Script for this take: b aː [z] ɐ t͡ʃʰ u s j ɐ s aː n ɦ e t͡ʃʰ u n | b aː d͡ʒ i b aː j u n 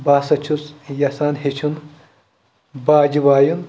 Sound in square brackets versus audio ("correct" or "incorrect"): incorrect